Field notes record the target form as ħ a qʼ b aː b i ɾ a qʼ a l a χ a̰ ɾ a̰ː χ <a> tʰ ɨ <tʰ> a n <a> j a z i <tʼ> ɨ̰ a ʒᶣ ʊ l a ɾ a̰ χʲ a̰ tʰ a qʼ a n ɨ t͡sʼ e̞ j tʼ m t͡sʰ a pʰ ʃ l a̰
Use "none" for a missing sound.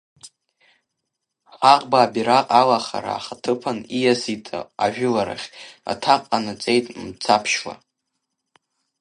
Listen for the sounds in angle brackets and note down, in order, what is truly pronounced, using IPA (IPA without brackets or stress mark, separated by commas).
a, pʰ, i, tʼ